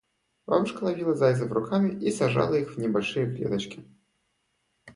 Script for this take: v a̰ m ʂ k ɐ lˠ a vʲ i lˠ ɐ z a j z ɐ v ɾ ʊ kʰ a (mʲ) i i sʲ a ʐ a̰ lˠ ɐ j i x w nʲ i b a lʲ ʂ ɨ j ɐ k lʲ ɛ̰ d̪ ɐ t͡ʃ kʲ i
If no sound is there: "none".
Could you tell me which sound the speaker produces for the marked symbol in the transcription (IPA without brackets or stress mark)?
mʲ